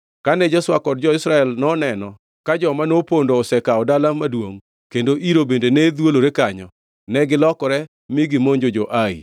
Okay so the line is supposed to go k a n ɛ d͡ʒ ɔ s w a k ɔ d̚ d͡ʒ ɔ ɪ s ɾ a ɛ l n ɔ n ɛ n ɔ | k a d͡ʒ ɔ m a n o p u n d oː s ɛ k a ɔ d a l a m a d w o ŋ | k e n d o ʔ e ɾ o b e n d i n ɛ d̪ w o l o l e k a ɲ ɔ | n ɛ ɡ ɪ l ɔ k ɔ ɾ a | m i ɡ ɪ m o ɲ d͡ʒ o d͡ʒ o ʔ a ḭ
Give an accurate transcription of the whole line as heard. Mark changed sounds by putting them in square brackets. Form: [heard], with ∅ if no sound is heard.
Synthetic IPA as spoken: k a n ɛ d͡ʒ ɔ s w a k ɔ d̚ d͡ʒ ɔ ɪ s ɾ a ɛ l n ɔ n ɛ n ɔ | k a d͡ʒ ɔ m a n o p [o] n d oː s ɛ k a ɔ d a l a m a d w o ŋ | k e n d o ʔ [i] ɾ o b e n d [e] n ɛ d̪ w o l o [ɾ] e k a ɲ ɔ | n ɛ ɡ ɪ l ɔ k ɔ ɾ [ɛ] | m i ɡ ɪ m o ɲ d͡ʒ o d͡ʒ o ʔ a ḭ